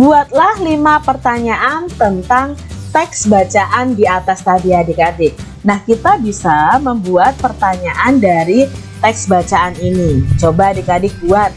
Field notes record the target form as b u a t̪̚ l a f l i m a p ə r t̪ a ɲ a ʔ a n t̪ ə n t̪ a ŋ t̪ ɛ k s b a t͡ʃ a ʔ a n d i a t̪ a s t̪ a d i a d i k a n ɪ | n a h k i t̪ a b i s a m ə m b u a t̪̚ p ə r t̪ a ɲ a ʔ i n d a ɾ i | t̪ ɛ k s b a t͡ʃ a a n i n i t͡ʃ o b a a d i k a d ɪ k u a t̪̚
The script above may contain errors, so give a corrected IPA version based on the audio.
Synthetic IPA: b u a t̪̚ l a h l i m a p ə r t̪ a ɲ a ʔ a n t̪ ə n t̪ a ŋ t̪ ɛ k s b a t͡ʃ a ʔ a n d i a t̪ a s t̪ a d i a d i k a d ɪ | n a h k i t̪ a b i s a m ə m b u a t̪̚ p ə r t̪ a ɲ a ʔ a n d a ɾ i | t̪ ɛ k s b a t͡ʃ a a n i n i t͡ʃ o b a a d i k a d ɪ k u a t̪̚